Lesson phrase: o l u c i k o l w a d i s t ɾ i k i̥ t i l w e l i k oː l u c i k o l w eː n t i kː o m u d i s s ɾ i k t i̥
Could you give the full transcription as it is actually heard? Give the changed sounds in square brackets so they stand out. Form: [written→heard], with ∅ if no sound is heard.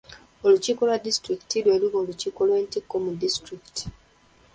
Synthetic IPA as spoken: o l u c i k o l w a d i s t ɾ i k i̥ t i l w e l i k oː l u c i k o l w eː n t i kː o m u d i s [s→t] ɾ i k t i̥